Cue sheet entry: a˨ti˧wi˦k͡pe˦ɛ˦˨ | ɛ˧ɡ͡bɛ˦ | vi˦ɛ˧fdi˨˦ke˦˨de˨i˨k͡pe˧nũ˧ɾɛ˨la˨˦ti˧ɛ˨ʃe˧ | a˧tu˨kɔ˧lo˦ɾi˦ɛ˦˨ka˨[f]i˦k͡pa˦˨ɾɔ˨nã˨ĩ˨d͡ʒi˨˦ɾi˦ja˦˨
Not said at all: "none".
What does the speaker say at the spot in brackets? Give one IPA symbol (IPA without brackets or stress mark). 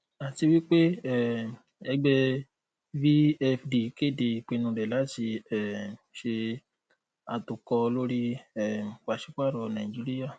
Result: ʃ